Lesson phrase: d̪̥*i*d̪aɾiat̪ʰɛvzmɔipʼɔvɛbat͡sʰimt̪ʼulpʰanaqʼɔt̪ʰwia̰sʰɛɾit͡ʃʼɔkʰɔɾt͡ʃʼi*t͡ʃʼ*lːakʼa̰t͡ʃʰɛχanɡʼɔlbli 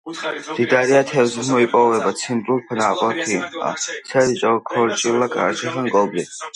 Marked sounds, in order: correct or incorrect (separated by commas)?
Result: correct, incorrect